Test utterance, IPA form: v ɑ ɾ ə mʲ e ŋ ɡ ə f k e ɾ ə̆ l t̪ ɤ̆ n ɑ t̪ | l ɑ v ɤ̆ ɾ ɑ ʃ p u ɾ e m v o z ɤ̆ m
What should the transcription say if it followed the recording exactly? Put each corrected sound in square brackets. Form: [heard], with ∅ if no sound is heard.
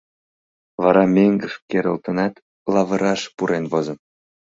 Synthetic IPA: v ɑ ɾ [ɑ] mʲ e ŋ ɡ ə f k e ɾ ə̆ l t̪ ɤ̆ n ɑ t̪ | l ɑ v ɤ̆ ɾ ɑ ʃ p u ɾ e [n] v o z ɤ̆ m